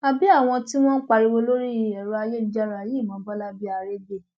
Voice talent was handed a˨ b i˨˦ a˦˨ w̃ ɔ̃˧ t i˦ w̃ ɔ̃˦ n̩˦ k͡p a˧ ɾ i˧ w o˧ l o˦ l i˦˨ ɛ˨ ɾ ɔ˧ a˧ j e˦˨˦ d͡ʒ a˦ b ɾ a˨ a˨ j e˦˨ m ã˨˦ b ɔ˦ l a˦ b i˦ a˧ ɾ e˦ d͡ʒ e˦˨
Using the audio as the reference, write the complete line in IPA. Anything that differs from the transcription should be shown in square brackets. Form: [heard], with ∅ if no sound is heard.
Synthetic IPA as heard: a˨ b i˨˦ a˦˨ w̃ ɔ̃˧ t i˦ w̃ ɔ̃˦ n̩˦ k͡p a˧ ɾ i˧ w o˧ l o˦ [ɾ] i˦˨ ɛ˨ ɾ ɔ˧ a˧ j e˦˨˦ d͡ʒ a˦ [∅] ɾ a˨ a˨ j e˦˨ m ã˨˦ b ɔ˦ l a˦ b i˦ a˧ ɾ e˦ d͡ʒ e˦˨